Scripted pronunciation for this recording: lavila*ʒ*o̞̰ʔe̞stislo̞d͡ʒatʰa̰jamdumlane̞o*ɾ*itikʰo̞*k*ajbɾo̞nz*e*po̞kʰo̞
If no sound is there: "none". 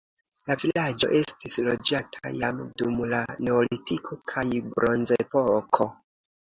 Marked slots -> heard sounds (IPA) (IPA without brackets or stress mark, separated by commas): d͡ʒ, l, kʰ, e